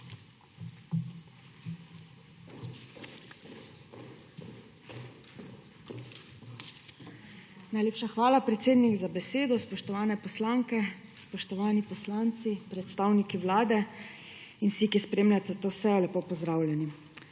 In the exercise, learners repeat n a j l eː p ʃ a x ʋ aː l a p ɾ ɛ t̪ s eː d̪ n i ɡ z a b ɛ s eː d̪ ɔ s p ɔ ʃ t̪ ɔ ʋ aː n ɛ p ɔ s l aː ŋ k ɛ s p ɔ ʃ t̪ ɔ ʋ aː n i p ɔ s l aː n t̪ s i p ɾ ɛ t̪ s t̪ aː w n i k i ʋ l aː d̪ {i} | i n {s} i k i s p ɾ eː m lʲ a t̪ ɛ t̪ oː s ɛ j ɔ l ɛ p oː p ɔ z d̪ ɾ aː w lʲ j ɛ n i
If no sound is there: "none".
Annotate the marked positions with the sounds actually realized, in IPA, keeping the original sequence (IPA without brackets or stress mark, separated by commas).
ɛ, s